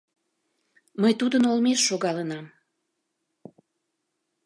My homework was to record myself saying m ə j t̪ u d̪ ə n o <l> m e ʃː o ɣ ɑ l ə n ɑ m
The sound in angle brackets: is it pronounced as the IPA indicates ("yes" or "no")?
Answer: yes